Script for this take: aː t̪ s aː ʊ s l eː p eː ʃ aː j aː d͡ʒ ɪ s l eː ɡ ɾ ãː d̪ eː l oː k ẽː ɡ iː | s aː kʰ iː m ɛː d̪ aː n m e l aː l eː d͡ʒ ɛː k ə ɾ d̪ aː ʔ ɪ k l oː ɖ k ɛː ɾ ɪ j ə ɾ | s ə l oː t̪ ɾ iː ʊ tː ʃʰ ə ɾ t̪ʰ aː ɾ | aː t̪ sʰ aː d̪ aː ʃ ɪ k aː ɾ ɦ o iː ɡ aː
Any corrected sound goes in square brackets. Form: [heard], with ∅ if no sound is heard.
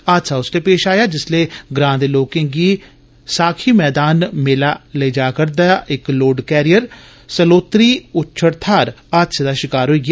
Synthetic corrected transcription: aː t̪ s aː ʊ s l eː p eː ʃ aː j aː d͡ʒ ɪ s l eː ɡ ɾ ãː d̪ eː l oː k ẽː ɡ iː | s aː kʰ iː m ɛː d̪ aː n m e l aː l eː d͡ʒ [aː] k ə ɾ d̪ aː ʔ ɪ k l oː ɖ k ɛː ɾ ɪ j ə ɾ | s ə l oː t̪ ɾ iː ʊ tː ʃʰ ə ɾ t̪ʰ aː ɾ | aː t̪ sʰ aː d̪ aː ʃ ɪ k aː ɾ ɦ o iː ɡ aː

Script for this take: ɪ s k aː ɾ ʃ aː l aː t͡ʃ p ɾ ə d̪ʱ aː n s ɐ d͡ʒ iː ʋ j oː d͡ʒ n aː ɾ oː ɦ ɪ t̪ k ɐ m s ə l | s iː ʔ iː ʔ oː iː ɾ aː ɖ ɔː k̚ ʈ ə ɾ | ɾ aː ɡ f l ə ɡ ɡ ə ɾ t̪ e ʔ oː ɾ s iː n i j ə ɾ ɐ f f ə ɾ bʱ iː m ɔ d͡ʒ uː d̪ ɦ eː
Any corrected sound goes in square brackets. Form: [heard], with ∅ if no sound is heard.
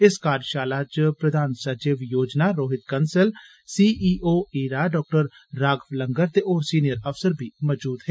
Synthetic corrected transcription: ɪ s k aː ɾ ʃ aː l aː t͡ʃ p ɾ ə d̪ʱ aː n s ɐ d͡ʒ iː ʋ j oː d͡ʒ n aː ɾ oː ɦ ɪ t̪ k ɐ [n] s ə l | s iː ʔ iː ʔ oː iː ɾ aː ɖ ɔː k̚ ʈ ə ɾ | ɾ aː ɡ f l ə [ŋ] ɡ ə ɾ t̪ e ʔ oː ɾ s iː n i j ə ɾ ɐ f [s] ə ɾ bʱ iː m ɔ d͡ʒ uː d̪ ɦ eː

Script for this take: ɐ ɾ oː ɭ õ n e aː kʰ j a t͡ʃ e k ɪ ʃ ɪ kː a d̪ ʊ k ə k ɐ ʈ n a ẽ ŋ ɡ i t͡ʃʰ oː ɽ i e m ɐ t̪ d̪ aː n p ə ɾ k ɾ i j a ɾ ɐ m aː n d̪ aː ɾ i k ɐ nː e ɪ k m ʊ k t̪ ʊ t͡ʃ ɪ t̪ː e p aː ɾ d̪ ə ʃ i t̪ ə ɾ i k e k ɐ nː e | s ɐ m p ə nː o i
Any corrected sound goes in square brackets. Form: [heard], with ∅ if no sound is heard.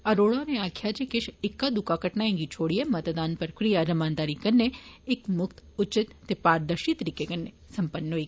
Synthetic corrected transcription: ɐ ɾ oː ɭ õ n e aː kʰ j a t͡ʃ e k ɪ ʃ ɪ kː a d̪ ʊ k [a] k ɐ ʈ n a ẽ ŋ ɡ i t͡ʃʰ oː ɽ i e m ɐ t̪ d̪ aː n p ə ɾ k ɾ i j a ɾ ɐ m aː n d̪ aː ɾ i k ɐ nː e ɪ k m ʊ k t̪ ʊ t͡ʃ ɪ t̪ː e p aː ɾ d̪ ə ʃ i t̪ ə ɾ i k e k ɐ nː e | s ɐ m p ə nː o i

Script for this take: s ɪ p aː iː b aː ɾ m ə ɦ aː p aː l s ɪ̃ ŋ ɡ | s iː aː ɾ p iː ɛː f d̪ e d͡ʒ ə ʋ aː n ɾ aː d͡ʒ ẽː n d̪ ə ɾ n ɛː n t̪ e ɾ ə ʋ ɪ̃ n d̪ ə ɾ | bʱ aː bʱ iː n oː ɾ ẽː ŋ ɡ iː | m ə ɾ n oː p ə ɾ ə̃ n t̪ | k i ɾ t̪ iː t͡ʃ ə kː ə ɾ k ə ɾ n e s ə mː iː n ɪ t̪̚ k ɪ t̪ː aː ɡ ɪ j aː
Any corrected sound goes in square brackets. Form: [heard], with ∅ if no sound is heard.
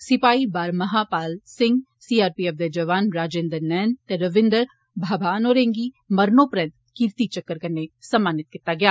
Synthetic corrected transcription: s ɪ p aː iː b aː ɾ m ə ɦ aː p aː l s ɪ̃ ŋ ɡ | s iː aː ɾ p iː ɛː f d̪ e d͡ʒ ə ʋ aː n ɾ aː d͡ʒ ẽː n d̪ ə ɾ n ɛː n t̪ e ɾ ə ʋ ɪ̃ n d̪ ə ɾ | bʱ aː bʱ [aː] n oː ɾ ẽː ŋ ɡ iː | m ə ɾ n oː p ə ɾ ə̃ n t̪ | k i ɾ t̪ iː t͡ʃ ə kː ə ɾ k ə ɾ n e s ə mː [aː] n ɪ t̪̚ k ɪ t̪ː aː ɡ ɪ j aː

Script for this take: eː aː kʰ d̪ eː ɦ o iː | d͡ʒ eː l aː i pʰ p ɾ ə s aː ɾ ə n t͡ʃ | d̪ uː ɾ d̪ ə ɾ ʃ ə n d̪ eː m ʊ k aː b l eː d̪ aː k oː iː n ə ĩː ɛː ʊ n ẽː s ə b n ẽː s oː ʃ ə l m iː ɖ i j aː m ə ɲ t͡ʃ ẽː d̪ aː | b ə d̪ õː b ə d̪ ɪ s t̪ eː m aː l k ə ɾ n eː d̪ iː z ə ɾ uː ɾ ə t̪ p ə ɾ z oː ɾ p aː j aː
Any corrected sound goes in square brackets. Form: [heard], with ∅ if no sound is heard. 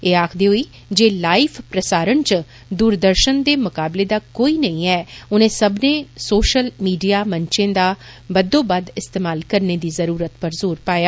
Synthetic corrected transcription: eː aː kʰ d̪ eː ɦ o iː | d͡ʒ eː l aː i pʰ p ɾ ə s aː ɾ ə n t͡ʃ | d̪ uː ɾ d̪ ə ɾ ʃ ə n d̪ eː m ʊ k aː b l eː d̪ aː k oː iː n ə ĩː ɛː ʊ n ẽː s ə b n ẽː s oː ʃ ə l m iː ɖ i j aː m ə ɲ t͡ʃ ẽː d̪ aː | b ə d̪ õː b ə d̪ ɪ s t̪ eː m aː l k ə ɾ n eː d̪ iː z ə ɾ uː ɾ ə t̪ p ə ɾ z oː ɾ p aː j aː

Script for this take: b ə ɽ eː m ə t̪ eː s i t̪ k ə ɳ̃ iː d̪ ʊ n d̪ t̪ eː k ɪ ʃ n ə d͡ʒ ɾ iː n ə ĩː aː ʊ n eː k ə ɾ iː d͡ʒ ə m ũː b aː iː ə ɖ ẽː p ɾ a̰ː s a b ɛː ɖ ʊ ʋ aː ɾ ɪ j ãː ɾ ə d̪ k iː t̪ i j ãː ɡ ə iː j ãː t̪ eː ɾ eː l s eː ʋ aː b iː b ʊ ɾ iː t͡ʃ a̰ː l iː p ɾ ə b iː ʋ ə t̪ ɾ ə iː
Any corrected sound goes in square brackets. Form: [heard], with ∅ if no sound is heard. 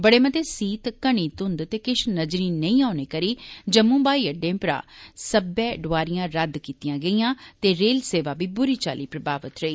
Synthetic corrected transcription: b ə ɽ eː m ə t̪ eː s [iː] t̪ k ə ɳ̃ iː [t̪] ʊ n d̪ t̪ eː k ɪ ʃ n ə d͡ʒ ɾ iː n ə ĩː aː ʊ n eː k ə ɾ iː d͡ʒ ə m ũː b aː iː ə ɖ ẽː p ɾ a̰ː s [ə] b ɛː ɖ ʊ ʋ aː ɾ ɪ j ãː ɾ ə d̪ k iː t̪ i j ãː ɡ ə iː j ãː t̪ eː ɾ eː l s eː ʋ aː b iː b ʊ ɾ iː t͡ʃ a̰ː l iː p ɾ ə b [aː] ʋ ə t̪ ɾ ə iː

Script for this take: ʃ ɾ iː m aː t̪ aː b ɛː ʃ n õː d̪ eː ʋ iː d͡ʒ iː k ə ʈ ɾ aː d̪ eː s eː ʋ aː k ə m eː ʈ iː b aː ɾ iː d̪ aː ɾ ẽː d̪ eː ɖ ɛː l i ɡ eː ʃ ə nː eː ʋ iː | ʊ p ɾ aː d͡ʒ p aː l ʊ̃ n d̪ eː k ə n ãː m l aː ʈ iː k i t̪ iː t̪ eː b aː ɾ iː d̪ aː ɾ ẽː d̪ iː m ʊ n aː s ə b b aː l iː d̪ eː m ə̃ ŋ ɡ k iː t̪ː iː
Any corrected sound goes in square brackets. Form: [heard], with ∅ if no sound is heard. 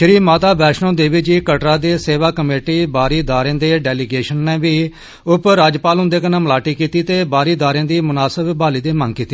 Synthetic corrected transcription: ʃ ɾ iː m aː t̪ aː b ɛː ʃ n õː d̪ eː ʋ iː d͡ʒ iː k ə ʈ ɾ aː d̪ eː s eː ʋ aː k ə m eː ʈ iː b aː ɾ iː d̪ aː ɾ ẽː d̪ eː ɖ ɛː l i ɡ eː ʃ ə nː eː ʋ iː | ʊ p ɾ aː d͡ʒ p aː l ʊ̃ n d̪ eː k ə n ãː m l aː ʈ iː k [iː] t̪ iː t̪ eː b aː ɾ iː d̪ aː ɾ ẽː d̪ iː m ʊ n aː s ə b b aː l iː d̪ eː m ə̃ ŋ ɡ k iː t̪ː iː

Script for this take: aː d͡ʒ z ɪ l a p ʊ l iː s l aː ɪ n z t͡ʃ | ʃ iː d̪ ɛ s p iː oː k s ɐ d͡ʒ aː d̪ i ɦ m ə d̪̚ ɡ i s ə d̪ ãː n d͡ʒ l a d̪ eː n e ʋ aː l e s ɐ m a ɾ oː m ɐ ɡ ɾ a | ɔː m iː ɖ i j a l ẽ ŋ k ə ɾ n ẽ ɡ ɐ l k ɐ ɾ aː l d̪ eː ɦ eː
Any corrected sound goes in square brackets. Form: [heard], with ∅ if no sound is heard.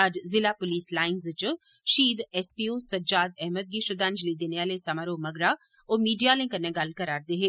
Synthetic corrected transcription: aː d͡ʒ z ɪ l a p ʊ l iː s l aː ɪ n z t͡ʃ | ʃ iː d̪ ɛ s p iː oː [∅] s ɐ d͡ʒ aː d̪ [ɛ] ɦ m ə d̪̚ ɡ i [ʃ] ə d̪ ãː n d͡ʒ l [i] d̪ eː n e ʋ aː l e s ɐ m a ɾ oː m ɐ ɡ ɾ a | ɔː m iː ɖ i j a l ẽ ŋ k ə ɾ n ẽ ɡ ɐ l k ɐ ɾ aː [ɾ] d̪ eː ɦ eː

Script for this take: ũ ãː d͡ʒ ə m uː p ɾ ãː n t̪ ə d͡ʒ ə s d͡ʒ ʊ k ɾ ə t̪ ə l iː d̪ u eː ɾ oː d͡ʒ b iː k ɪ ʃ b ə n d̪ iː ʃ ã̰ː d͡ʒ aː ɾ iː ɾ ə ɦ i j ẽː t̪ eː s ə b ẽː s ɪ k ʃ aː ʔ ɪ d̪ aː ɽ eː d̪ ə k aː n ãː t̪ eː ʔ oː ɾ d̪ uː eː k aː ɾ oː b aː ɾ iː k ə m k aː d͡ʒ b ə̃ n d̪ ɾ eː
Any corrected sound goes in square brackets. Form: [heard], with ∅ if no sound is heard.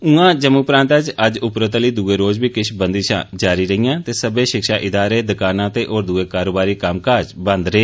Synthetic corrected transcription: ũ ãː d͡ʒ ə m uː p ɾ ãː n t̪ ə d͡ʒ ə [∅] d͡ʒ ʊ [p] ɾ ə t̪ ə l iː d̪ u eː ɾ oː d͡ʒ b iː k ɪ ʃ b ə n d̪ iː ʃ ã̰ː d͡ʒ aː ɾ iː ɾ ə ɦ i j [ãː] t̪ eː s ə b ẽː [ʃ] ɪ k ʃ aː ʔ ɪ d̪ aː [ɾ] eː d̪ ə k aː n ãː t̪ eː ʔ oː ɾ d̪ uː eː k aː ɾ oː b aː ɾ iː k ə m k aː d͡ʒ b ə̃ n d̪ ɾ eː

